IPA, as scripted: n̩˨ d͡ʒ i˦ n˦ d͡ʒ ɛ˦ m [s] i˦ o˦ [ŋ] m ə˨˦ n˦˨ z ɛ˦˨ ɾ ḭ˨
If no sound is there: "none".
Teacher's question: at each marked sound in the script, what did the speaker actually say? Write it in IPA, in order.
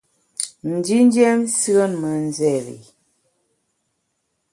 s, n

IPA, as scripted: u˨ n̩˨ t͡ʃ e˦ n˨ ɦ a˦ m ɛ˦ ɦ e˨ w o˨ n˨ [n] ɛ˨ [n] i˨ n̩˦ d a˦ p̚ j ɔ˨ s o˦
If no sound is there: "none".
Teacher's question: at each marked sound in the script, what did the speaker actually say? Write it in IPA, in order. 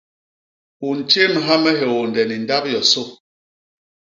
d, n

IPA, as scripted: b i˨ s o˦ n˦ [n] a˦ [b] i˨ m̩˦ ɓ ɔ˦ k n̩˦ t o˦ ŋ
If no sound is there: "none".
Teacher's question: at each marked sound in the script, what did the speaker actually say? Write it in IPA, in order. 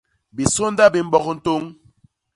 d, b

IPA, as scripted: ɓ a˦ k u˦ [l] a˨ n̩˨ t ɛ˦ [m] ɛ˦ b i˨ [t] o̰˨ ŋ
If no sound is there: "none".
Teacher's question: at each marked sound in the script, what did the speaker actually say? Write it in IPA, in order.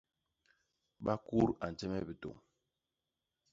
ɾ, m, t

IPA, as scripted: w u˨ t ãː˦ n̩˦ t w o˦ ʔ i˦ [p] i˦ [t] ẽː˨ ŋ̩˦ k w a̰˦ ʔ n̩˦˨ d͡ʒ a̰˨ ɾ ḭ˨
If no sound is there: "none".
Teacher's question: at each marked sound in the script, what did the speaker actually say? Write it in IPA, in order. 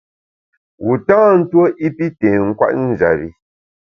p, t

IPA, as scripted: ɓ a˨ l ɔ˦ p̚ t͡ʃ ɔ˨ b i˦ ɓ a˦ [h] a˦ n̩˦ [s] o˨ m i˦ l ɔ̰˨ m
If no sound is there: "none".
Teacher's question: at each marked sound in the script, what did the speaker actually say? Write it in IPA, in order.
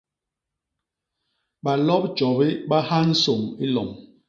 h, s

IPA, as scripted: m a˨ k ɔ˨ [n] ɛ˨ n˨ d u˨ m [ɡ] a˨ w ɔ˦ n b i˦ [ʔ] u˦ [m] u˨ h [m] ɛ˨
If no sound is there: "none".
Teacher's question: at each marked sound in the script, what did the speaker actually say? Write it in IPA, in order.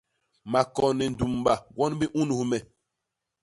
n, b, ʔ, n, m

